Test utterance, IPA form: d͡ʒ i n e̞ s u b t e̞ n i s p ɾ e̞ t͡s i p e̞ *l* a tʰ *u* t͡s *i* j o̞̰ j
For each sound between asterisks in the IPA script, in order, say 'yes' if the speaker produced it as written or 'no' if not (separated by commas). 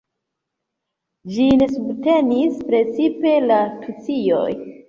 yes, yes, yes